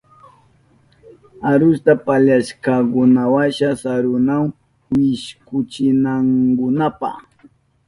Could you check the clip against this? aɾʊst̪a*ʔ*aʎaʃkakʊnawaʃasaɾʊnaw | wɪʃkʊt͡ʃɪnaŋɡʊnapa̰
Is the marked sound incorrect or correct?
incorrect